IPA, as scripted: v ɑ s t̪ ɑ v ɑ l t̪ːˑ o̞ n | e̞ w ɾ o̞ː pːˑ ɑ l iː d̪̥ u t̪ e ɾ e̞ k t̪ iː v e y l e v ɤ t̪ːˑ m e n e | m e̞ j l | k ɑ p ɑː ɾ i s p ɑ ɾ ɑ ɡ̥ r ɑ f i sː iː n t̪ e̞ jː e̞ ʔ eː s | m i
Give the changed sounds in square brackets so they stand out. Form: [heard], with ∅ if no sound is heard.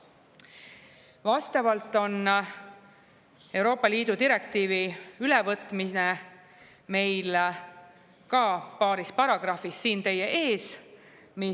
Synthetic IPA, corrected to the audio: v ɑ s t̪ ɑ v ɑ l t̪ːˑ o̞ n | e̞ w ɾ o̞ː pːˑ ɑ l iː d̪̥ u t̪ [i] ɾ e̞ k t̪ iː v [i] y l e v ɤ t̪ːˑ m [i] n e | m e̞ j l | k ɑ p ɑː ɾ i s p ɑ ɾ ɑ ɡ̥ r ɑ f i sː iː n t̪ e̞ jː e̞ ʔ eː s | m i